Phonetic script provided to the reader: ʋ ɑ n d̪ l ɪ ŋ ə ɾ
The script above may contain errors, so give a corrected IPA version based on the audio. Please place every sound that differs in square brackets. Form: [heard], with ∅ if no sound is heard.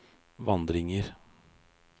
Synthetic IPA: ʋ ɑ n d̪ [ɾ] ɪ ŋ ə ɾ